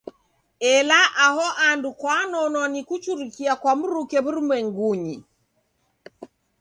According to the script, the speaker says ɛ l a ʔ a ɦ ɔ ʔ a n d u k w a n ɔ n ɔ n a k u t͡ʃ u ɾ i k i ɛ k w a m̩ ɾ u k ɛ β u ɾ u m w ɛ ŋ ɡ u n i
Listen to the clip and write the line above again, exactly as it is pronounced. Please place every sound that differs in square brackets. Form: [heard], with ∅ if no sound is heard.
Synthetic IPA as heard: ɛ l a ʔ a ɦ ɔ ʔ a n d u k w a n ɔ n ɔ n [i] k u t͡ʃ u ɾ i k i [a] k w a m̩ ɾ u k ɛ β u ɾ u m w ɛ ŋ ɡ u [ɲ] i